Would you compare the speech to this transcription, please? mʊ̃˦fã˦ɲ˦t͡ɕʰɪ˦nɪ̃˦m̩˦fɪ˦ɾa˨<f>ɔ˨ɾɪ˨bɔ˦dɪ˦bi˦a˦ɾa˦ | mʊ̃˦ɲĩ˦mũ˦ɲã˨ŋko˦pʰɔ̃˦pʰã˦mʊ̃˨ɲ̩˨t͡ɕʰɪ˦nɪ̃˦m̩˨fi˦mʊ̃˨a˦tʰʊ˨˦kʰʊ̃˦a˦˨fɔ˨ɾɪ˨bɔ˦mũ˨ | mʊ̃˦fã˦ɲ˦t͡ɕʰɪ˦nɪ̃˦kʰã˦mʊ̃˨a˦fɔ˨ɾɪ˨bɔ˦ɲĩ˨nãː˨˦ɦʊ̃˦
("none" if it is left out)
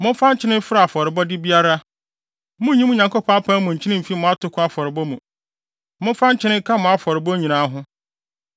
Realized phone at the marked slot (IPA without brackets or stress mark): f